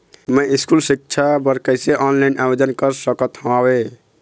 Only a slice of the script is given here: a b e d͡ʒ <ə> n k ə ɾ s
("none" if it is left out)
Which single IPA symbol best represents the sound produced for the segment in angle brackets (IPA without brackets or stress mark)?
ə